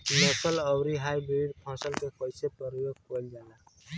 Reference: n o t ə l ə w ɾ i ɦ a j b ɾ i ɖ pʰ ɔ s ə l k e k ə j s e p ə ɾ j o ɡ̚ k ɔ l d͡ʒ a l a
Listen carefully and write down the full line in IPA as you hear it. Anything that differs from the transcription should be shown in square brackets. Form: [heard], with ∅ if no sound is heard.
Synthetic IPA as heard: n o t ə l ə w ɾ i ɦ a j b ɾ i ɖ pʰ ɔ s ə l k e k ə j s e p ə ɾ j o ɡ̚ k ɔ l d͡ʒ a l a